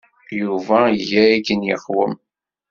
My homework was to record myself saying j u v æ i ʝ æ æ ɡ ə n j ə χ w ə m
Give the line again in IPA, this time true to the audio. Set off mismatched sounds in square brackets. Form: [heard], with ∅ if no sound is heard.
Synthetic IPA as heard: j u v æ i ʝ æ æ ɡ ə n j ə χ w ə m